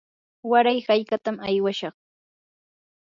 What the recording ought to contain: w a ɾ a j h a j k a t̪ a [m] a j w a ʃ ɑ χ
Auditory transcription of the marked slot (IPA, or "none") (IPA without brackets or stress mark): m